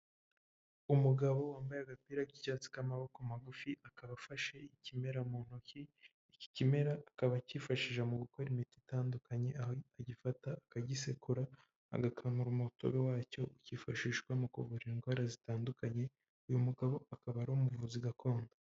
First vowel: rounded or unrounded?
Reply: rounded